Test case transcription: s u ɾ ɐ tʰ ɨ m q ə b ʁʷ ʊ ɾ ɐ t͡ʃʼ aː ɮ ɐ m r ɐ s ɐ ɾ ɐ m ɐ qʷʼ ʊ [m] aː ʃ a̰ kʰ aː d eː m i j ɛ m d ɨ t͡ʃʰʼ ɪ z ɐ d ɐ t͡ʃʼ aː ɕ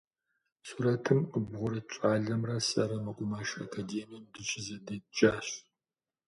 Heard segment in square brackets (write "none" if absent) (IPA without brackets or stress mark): m